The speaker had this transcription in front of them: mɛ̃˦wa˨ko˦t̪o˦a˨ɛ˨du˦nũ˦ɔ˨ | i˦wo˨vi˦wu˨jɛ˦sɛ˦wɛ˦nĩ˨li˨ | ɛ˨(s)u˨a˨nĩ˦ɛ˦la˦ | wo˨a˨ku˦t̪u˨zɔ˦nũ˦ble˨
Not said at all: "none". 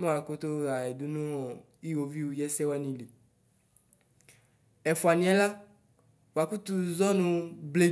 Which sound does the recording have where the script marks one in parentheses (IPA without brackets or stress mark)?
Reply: f